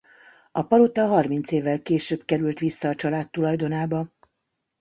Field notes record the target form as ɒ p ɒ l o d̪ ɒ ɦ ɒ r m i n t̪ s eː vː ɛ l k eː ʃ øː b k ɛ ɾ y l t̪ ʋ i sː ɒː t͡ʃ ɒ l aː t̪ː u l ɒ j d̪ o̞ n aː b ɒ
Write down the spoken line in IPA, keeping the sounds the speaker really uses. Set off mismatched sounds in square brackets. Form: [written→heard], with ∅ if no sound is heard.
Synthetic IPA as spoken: ɒ p ɒ l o [d̪→t̪] ɒ ɦ ɒ r m i n t̪ s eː vː ɛ l k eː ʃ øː b k ɛ ɾ y l t̪ ʋ i sː ɒː t͡ʃ ɒ l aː t̪ː u l ɒ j d̪ o̞ n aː b ɒ